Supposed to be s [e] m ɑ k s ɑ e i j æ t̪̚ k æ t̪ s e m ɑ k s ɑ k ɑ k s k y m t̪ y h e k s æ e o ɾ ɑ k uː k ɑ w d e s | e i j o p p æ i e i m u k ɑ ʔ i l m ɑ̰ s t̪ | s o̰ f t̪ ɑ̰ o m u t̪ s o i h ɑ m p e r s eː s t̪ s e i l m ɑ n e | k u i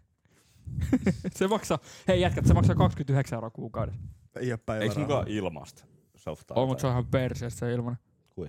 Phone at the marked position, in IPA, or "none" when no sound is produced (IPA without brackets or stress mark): e